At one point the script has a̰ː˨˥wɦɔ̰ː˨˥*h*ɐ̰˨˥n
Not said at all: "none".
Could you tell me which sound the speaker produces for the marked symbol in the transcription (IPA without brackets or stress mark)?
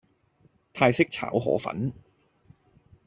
f